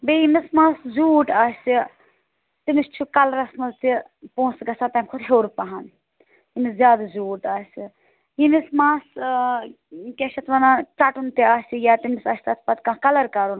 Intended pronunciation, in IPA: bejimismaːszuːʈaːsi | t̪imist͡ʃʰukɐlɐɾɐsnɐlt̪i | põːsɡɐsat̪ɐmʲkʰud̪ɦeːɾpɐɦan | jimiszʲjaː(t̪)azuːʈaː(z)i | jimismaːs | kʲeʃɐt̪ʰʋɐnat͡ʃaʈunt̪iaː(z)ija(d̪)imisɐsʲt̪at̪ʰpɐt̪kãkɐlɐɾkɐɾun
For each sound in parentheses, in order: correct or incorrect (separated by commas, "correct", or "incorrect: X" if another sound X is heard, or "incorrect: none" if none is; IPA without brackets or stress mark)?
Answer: incorrect: d̪, incorrect: s, incorrect: s, incorrect: t̪